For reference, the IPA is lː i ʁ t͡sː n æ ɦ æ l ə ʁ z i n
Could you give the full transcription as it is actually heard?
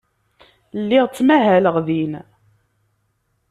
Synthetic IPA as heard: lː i ʁ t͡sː m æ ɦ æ l ə ʁ ð i n